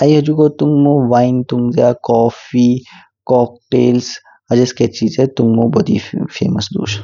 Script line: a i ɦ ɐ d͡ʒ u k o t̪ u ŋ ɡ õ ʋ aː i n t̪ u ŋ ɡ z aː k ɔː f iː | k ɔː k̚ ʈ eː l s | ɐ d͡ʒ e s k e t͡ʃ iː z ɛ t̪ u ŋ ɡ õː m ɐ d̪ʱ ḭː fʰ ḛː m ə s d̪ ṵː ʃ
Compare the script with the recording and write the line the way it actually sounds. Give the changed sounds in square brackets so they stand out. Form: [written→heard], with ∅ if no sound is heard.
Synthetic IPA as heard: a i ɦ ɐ d͡ʒ u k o t̪ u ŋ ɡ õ ʋ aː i n t̪ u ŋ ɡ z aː k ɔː f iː | k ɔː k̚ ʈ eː l s | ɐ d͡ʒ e s k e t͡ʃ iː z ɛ t̪ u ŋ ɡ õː [m→b] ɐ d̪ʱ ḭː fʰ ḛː m ə s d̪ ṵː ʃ